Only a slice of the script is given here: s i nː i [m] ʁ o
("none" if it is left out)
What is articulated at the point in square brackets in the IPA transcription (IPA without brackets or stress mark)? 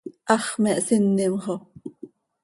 m